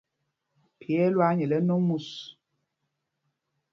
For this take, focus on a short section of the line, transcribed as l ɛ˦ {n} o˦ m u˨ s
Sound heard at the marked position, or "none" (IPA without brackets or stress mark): n